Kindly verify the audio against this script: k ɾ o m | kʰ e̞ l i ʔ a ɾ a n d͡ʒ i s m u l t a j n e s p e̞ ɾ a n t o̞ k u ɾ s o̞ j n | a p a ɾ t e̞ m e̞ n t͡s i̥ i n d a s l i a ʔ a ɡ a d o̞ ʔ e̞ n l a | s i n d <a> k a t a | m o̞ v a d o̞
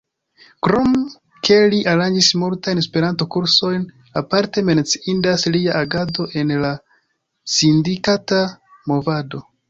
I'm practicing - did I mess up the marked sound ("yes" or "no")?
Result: yes